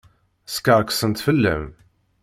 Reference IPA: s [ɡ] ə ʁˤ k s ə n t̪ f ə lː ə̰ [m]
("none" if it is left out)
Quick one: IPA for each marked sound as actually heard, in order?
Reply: k, m

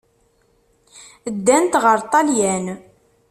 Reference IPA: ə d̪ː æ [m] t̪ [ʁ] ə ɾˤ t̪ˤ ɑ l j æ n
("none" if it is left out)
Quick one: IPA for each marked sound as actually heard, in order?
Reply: n, ʁ

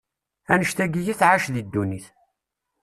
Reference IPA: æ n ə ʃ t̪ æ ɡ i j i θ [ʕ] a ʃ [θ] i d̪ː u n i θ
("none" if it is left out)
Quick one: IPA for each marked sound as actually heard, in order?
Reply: ʕ, ð

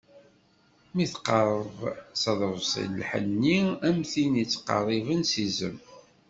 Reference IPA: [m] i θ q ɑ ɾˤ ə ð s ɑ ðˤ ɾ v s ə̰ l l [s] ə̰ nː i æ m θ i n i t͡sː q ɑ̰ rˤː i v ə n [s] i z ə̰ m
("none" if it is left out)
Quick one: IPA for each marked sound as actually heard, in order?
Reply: m, ħ, s

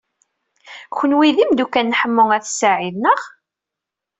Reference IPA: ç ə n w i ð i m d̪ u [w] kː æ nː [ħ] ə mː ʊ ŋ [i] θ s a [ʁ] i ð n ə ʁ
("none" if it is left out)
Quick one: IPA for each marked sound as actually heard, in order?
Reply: none, ħ, æ, ʕ

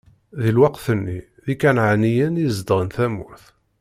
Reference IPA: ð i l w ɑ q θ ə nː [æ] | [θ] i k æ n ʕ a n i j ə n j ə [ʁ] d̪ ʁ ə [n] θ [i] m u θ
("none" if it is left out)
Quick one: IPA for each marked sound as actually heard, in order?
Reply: i, ð, z, n, æ

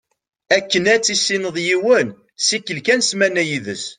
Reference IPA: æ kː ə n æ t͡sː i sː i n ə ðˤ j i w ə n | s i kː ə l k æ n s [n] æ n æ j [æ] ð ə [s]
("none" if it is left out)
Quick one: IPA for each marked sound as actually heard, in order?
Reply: m, i, s

